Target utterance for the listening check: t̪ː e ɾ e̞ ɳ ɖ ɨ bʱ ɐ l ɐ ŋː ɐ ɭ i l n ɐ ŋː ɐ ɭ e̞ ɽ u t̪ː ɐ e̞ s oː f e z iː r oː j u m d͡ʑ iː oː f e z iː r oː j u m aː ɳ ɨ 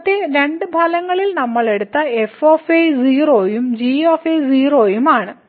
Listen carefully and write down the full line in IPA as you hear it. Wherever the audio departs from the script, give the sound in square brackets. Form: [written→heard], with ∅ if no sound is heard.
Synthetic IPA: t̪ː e ɾ e̞ ɳ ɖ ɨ bʱ ɐ l ɐ ŋː ɐ ɭ i l n ɐ [ŋː→mː] ɐ ɭ e̞ ɽ u t̪ː ɐ e̞ [s→f] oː f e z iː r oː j u m d͡ʑ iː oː f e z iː r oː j u m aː ɳ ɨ